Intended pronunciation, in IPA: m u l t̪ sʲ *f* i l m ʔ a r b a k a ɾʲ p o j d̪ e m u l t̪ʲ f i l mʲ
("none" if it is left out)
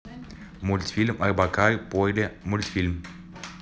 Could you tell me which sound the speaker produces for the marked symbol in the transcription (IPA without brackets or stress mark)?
f